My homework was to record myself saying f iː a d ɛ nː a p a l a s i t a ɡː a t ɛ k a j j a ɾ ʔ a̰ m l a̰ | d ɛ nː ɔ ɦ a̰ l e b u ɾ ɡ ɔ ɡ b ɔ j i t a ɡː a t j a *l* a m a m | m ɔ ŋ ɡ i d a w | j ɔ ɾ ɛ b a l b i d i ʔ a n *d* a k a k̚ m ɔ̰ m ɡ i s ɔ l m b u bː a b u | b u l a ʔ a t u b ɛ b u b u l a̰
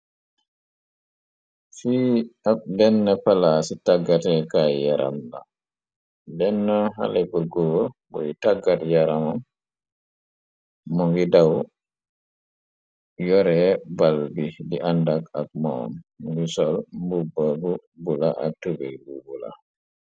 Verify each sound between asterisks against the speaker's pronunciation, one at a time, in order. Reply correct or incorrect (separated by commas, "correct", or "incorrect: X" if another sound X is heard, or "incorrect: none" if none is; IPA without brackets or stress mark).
incorrect: ɾ, correct